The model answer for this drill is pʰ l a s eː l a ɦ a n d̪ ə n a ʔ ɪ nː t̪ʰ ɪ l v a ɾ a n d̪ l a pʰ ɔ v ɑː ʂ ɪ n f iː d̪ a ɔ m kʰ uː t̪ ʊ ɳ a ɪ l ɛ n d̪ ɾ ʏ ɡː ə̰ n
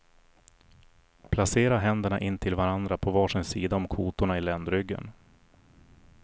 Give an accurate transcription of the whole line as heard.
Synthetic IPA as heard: pʰ l a s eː ɾ a ɦ ɛ n d̪ ə ɳ a ʔ ɪ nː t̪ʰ ɪ l v a ɾ a n d̪ ɾ a pʰ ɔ v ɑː ʂ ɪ n s iː d̪ a ɔ m kʰ uː t̪ ʊ ɳ a ɪ l ɛ n d̪ ɾ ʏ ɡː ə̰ n

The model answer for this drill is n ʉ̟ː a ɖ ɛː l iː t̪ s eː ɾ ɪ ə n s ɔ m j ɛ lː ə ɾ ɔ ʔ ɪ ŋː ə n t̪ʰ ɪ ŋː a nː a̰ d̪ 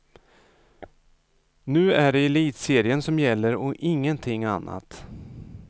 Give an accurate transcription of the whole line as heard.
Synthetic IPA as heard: n ʉ̟ː æ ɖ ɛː l iː t̪ s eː ɾ ɪ ə n s ɔ m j ɛ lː ə ɾ ɔ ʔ ɪ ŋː ə n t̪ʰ ɪ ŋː a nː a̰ t̪

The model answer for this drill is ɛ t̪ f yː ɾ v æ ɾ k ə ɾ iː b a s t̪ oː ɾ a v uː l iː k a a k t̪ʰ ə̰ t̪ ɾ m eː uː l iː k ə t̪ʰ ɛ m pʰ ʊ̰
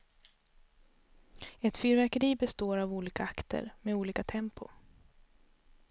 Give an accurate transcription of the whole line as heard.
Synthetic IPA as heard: ɛ t̪ f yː ɾ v æ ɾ k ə ɾ iː b ɛ s t̪ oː ɾ a v uː l iː k a a k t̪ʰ ə̰ ɾ m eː uː l iː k a t̪ʰ ɛ m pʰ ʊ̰

